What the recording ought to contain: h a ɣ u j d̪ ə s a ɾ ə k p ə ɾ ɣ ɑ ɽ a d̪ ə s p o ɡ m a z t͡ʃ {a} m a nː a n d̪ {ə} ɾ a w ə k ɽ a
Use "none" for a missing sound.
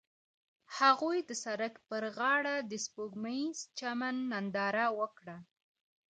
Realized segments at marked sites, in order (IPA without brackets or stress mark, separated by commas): a, ɑ